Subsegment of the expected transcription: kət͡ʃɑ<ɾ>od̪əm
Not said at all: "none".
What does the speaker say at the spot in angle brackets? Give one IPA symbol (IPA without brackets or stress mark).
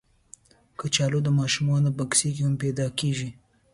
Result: l